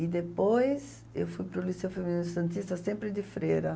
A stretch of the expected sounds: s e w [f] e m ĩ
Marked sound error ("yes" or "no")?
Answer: no